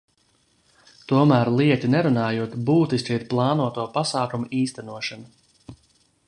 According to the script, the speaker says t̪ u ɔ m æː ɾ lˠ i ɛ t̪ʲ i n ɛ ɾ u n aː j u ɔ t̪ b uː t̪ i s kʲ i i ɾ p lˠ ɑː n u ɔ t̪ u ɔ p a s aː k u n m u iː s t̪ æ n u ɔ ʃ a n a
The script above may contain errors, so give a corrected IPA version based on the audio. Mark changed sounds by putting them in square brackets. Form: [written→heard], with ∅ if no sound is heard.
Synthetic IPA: t̪ u ɔ m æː ɾ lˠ i ɛ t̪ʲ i n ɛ ɾ u n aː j u ɔ t̪ b uː t̪ i s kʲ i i ɾ p lˠ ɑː n u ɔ t̪ u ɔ p a s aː k u [n→∅] m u iː s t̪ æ n u ɔ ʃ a n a